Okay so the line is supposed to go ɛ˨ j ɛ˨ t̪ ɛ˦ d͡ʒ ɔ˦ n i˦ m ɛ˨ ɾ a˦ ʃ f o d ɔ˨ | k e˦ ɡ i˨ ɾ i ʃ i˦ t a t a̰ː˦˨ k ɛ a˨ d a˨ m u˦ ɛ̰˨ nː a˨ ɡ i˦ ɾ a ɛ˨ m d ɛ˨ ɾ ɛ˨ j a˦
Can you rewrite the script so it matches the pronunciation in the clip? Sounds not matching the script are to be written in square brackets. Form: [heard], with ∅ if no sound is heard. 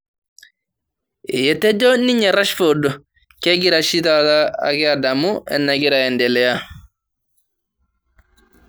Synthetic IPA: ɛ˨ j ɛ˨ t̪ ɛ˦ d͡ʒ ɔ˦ n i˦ [ɲ] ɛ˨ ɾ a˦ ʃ f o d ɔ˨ | k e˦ ɡ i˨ ɾ [a] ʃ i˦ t a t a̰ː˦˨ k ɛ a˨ d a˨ m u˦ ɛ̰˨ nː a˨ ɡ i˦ ɾ a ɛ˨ [n] d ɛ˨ [l] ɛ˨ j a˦

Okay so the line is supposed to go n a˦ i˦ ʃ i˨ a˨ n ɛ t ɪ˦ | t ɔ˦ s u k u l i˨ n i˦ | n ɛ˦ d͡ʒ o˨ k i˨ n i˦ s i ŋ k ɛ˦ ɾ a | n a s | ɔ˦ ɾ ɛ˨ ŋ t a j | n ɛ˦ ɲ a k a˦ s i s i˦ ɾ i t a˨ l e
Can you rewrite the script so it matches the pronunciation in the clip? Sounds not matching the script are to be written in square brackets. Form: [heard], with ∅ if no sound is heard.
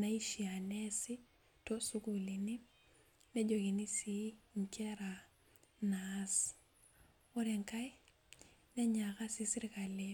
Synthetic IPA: n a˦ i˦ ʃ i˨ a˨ n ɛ [s] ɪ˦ | t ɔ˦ s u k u l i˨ n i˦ | n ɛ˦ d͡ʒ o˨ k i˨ n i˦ s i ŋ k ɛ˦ ɾ a | n a s | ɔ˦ ɾ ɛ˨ ŋ [k] a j | n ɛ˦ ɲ a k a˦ s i s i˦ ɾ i [k] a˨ l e

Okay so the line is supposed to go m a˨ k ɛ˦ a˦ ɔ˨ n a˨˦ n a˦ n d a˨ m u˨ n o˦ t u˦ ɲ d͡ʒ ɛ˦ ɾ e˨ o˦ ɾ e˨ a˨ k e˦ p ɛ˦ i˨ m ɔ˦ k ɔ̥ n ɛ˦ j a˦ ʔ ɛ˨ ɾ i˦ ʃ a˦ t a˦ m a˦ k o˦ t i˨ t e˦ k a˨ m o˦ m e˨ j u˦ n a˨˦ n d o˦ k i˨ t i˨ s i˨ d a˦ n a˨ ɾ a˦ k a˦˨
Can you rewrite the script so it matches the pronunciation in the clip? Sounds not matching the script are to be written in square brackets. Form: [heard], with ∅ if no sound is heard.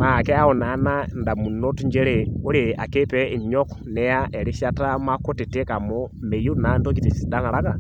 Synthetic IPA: m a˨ k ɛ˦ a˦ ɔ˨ n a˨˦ n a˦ n d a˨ m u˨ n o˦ t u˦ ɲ d͡ʒ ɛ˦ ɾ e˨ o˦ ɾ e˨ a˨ k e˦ p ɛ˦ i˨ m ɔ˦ k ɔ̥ n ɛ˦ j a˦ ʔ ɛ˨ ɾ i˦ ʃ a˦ t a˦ m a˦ k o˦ t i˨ t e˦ k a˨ m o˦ m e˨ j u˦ n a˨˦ n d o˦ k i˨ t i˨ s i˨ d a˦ n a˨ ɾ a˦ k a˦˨

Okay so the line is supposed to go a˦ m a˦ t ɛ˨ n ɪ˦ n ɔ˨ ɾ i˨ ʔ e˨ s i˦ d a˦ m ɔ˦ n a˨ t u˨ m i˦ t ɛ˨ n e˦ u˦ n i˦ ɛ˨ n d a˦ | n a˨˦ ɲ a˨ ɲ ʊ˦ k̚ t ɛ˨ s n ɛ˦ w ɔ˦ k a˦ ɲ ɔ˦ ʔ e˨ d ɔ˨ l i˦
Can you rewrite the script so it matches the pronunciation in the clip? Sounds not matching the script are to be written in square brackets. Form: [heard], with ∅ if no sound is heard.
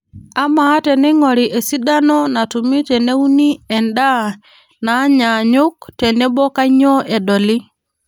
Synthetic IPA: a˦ m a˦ t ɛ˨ n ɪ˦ [ŋ] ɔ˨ ɾ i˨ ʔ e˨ s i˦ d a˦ [n] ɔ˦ n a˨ t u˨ m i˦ t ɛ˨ n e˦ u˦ n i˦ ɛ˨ n d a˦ | n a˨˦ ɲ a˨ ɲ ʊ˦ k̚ t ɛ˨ [∅] n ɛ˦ [b] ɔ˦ k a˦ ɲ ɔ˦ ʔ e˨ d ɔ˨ l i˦

